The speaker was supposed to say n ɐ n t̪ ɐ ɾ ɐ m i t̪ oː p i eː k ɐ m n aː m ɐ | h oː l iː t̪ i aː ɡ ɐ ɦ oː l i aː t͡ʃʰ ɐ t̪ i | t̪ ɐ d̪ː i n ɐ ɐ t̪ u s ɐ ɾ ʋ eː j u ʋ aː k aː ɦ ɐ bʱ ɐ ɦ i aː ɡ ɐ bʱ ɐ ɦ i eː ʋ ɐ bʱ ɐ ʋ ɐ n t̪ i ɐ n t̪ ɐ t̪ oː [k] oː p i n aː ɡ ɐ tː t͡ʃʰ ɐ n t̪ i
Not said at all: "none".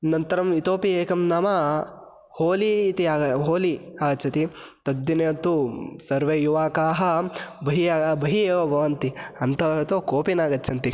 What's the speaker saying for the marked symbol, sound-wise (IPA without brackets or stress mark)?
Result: k